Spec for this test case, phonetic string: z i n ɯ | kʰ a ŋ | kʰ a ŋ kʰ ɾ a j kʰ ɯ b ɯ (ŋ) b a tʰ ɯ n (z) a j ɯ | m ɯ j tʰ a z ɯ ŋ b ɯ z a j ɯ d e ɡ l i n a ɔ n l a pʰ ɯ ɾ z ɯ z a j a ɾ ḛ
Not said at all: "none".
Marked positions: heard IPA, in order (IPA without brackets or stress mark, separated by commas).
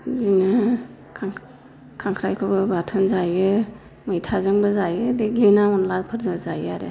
none, z